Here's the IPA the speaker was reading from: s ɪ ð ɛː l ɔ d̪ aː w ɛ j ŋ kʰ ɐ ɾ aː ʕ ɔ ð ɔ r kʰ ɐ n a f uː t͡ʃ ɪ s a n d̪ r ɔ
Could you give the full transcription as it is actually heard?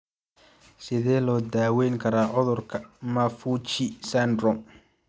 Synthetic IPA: s ɪ ð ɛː l ɔː d̪ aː w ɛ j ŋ kʰ ɐ ɾ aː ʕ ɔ ð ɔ r kʰ ɐ m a f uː t͡ʃ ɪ s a n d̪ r ɔ